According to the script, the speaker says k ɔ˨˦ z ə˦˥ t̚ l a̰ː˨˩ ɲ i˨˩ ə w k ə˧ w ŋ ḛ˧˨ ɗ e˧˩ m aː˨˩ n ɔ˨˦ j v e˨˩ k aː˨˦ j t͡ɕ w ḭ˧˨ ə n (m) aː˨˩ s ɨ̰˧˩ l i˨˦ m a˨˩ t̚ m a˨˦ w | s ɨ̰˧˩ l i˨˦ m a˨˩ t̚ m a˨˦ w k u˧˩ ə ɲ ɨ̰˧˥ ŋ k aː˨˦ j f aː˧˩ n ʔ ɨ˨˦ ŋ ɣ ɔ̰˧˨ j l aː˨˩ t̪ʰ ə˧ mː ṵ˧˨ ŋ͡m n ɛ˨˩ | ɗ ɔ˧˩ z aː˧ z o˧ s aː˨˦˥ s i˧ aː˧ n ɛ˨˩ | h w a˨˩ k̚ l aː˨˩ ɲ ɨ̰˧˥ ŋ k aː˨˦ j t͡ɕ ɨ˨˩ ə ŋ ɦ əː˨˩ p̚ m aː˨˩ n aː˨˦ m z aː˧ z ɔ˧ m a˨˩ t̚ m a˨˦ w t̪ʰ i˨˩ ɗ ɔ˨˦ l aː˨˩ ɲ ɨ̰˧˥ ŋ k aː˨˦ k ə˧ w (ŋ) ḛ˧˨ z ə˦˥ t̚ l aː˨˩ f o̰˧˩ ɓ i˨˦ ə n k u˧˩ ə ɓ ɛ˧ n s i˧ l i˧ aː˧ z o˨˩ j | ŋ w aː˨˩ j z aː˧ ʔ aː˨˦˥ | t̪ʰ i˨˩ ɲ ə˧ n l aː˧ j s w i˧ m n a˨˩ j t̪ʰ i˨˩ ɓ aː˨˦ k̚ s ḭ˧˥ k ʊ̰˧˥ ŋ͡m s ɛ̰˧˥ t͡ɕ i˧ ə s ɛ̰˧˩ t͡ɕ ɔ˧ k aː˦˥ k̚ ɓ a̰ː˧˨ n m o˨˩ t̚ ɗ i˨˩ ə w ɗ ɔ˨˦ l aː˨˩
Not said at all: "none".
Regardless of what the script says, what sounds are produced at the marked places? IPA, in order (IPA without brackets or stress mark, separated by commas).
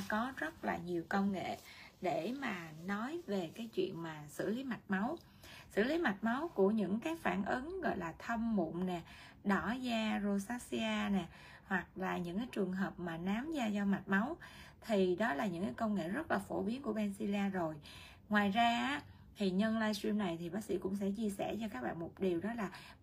m, ŋ